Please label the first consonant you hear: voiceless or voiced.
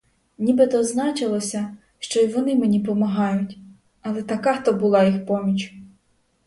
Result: voiced